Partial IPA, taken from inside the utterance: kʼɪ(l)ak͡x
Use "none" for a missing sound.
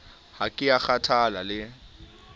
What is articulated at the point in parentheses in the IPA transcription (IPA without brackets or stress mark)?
none